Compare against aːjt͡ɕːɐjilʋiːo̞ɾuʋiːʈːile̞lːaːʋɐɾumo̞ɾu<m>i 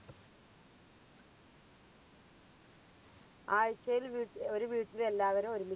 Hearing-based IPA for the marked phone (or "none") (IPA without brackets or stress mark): m